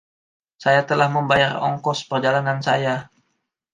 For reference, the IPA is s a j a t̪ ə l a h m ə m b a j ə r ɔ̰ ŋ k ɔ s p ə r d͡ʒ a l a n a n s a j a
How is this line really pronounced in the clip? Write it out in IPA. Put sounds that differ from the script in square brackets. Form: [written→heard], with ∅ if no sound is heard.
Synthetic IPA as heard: s a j a t̪ ə l a h m ə m b a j [ə→a] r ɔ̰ ŋ k ɔ s p ə r d͡ʒ a l a n a n s a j a